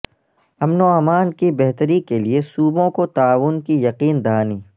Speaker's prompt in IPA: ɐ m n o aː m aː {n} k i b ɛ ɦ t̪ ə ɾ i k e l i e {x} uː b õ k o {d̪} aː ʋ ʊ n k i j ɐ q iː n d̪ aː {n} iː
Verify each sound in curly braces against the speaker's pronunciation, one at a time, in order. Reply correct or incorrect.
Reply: correct, incorrect, incorrect, correct

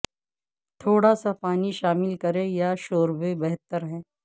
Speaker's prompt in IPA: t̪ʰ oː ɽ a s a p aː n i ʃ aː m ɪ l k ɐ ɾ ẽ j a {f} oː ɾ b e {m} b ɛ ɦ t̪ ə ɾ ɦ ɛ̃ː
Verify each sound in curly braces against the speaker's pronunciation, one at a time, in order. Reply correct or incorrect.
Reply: incorrect, incorrect

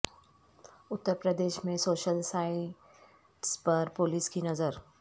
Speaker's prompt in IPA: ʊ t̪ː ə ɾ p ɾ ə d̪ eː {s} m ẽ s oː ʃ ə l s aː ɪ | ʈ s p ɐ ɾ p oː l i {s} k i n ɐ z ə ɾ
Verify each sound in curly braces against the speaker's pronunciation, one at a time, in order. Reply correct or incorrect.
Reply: incorrect, correct

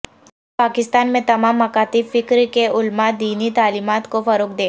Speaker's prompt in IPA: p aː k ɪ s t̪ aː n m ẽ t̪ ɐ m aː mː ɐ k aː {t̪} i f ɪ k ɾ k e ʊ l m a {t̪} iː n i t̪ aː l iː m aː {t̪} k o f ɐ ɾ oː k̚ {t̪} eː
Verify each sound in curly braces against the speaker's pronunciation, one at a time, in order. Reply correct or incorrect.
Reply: correct, incorrect, correct, incorrect

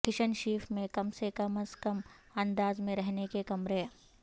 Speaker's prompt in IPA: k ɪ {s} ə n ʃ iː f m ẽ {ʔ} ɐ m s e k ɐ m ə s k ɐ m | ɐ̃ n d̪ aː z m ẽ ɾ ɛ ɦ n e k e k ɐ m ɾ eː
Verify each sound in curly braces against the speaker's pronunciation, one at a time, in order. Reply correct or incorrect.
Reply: incorrect, incorrect

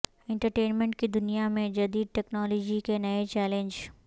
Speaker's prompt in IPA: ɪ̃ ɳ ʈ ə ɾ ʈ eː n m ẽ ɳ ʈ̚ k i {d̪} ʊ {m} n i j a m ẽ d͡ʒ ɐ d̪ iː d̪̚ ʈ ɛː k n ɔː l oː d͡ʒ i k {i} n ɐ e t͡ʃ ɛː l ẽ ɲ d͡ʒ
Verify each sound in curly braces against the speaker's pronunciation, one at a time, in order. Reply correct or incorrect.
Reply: correct, incorrect, incorrect

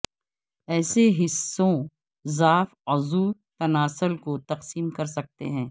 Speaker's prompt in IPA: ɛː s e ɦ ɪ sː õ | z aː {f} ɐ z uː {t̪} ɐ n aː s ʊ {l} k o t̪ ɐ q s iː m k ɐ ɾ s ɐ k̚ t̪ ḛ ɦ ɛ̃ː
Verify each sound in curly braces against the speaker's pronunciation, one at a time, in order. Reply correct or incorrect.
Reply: correct, correct, correct

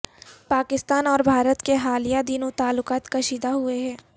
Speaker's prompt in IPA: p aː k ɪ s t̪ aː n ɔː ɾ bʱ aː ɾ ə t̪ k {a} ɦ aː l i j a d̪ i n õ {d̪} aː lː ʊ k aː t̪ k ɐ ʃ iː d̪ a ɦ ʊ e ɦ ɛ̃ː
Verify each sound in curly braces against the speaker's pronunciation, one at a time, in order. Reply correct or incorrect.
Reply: incorrect, incorrect

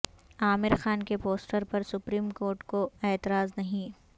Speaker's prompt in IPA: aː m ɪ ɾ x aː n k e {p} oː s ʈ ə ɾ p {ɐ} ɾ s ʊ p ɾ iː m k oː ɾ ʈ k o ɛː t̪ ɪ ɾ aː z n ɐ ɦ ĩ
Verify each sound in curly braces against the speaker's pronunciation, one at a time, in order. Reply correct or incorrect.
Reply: correct, correct

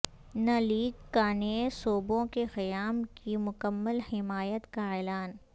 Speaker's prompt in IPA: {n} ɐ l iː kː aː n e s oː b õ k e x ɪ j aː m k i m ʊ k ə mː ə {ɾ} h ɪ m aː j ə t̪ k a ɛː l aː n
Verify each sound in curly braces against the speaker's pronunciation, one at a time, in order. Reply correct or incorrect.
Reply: correct, incorrect

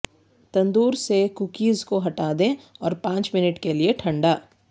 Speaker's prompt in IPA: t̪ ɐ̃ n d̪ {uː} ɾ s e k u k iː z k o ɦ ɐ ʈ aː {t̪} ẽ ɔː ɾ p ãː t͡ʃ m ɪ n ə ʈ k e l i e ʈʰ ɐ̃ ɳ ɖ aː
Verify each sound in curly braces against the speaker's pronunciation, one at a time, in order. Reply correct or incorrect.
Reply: correct, incorrect

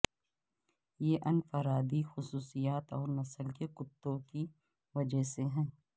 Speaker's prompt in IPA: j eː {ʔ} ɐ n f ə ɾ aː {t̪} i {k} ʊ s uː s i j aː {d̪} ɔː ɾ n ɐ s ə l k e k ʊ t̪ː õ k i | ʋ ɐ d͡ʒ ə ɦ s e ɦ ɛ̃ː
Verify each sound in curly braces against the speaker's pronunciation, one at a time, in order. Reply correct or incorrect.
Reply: correct, incorrect, incorrect, incorrect

